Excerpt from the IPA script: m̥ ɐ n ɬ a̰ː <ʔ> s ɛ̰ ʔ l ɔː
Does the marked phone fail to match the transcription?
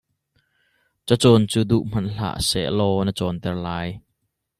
no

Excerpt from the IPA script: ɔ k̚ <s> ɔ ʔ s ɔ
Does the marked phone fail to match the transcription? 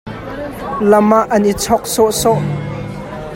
no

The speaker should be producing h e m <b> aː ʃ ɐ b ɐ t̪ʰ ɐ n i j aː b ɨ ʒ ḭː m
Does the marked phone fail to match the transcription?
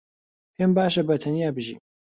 no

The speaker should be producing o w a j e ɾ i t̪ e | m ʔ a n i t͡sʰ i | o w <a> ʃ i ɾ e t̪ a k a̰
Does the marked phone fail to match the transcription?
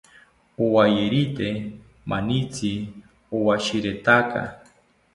no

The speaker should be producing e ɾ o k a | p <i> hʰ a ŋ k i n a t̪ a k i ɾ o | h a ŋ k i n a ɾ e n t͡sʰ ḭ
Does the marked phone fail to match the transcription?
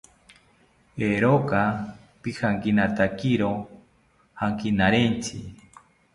no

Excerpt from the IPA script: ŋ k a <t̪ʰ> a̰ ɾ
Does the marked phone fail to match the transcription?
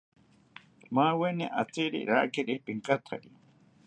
no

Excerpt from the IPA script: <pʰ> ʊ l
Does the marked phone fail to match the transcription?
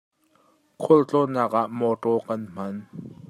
yes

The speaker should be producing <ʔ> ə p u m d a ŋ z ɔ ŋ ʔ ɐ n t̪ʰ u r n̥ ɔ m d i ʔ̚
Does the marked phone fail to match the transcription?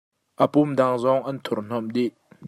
no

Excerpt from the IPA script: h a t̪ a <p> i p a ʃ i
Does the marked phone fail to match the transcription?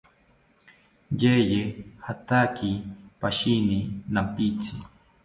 yes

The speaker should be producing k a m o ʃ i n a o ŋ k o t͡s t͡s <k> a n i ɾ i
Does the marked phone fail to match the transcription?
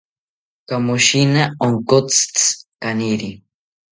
no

